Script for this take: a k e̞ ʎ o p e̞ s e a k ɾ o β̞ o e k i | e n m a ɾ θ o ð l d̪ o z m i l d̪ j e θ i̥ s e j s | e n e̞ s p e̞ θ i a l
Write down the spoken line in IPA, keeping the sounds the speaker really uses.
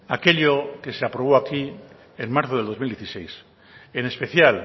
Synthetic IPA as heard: a k e̞ ʎ o k e̞ s e a p ɾ o β̞ o a k i | e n m a ɾ θ o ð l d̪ o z m i l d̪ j e θ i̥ s e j s | e n e̞ s p e̞ θ j a l